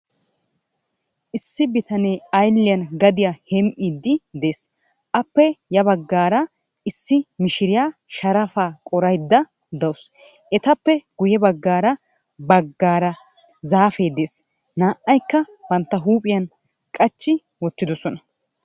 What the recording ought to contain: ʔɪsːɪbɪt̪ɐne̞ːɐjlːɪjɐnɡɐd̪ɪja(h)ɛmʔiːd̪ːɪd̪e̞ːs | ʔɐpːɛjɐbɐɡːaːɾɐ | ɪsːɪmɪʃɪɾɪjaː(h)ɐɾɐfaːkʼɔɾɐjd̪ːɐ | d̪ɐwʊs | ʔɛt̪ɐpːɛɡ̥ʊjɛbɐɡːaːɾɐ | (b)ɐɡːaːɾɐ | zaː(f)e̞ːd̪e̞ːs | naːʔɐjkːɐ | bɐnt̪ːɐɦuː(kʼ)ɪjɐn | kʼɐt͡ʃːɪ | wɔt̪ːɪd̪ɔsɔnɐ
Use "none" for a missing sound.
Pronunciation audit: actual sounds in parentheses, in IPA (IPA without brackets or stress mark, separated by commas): h, ʃ, b, f, pʼ